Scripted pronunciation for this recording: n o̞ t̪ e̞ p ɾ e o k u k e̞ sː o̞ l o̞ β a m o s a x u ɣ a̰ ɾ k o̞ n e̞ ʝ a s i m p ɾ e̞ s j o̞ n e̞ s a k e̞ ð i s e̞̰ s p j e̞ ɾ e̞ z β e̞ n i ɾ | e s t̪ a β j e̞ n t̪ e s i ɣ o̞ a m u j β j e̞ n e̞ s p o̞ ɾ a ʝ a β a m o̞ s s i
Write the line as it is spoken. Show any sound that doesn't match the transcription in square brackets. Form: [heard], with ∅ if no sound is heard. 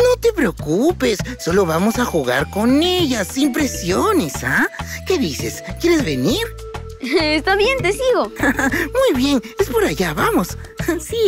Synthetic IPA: n o̞ t̪ e̞ p ɾ e o k u [p] e̞ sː o̞ l o̞ β a m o s a x u ɣ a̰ ɾ k o̞ n e̞ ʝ a s i m p ɾ e̞ s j o̞ n e̞ s a k e̞ ð i s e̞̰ s [k] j e̞ ɾ e̞ z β e̞ n i ɾ | e s t̪ a β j e̞ n t̪ e s i ɣ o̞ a m u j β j e̞ n e̞ s p o̞ ɾ a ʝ a β a m o̞ s s i